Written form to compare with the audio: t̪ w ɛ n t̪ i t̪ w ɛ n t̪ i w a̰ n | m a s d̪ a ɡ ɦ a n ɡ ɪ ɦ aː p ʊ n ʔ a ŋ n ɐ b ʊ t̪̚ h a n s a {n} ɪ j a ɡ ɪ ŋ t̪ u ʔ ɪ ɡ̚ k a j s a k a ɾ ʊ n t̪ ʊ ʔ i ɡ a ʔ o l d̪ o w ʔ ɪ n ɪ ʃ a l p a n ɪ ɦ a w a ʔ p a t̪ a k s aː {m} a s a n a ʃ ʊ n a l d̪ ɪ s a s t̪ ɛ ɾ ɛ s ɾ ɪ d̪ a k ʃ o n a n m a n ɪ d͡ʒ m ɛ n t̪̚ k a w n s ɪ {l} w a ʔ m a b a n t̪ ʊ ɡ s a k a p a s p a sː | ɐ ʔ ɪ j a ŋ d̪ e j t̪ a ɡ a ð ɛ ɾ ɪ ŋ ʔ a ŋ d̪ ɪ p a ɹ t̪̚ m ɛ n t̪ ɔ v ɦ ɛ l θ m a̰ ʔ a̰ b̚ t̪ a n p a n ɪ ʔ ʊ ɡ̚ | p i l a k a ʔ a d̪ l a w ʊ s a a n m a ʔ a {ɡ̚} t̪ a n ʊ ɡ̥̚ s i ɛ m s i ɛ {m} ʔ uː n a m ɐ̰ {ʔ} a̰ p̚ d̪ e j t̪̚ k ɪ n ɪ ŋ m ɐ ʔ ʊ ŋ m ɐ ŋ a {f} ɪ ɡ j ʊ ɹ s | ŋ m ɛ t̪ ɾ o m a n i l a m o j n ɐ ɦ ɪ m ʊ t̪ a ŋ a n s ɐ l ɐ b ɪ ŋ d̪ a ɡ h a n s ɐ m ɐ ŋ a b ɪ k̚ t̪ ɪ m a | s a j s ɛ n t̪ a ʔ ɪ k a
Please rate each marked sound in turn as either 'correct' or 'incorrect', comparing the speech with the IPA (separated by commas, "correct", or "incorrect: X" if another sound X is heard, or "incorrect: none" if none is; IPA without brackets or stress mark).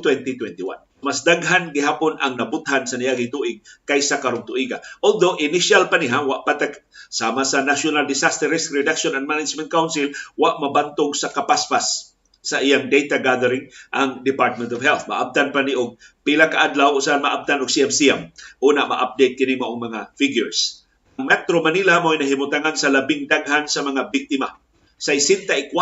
correct, correct, correct, incorrect: b̚, correct, correct, correct